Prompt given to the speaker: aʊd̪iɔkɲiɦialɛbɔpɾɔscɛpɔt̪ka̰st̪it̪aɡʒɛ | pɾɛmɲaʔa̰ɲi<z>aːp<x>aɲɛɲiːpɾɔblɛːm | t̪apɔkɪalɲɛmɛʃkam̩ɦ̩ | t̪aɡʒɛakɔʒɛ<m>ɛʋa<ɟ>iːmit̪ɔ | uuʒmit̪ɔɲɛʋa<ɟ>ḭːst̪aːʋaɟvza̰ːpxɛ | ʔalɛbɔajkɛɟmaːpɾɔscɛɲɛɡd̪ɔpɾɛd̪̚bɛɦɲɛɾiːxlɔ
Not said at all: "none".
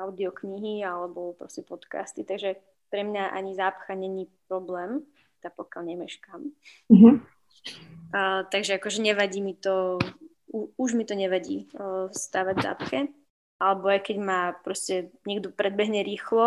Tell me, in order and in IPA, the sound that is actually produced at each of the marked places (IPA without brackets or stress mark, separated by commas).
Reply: z, x, ɲ, ɟ, ɟ